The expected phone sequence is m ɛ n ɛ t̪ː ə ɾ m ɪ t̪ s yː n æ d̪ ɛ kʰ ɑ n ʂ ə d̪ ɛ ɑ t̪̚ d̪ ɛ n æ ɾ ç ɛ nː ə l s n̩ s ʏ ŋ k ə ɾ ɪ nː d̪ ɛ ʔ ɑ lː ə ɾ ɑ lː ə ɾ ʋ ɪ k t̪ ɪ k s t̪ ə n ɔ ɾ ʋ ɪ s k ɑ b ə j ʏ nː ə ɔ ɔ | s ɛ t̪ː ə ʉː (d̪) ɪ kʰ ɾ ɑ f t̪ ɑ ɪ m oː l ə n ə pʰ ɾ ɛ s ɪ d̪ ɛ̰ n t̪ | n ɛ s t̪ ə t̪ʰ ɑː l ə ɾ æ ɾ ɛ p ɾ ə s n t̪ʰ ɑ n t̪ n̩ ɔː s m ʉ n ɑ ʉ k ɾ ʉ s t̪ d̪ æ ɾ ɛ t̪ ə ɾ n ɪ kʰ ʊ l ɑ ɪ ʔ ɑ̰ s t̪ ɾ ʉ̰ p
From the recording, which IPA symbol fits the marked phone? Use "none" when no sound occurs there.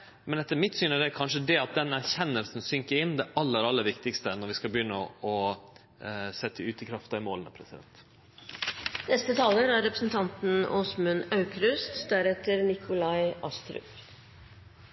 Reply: t̪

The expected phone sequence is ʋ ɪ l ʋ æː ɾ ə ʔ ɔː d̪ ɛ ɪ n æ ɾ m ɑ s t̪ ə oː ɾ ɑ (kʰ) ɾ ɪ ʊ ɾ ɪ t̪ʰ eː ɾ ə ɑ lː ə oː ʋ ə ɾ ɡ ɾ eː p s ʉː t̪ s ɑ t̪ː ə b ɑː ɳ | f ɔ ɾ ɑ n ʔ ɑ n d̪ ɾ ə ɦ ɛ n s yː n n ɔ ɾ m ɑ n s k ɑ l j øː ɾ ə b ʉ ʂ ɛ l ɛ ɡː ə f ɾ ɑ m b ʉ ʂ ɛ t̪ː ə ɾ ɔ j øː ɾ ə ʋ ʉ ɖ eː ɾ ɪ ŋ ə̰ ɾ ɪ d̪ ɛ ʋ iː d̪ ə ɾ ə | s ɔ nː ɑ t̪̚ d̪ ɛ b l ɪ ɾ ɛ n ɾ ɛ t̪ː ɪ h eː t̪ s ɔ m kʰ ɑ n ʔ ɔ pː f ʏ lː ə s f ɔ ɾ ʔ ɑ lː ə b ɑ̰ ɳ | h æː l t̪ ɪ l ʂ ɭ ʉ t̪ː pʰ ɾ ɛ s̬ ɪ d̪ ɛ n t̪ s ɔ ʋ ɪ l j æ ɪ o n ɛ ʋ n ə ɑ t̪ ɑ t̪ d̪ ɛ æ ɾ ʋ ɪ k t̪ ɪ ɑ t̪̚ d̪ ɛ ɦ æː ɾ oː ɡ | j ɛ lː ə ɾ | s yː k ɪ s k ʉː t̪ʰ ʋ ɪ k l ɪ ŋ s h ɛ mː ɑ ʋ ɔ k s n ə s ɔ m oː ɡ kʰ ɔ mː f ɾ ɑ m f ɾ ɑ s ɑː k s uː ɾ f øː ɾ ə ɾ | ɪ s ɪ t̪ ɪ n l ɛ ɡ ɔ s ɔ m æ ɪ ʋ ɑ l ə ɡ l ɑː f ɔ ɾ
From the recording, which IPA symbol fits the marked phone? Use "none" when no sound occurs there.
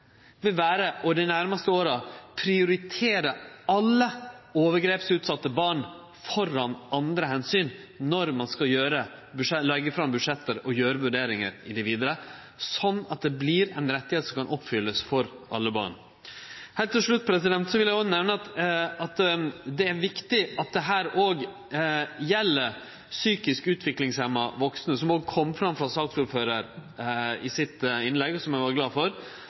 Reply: pʰ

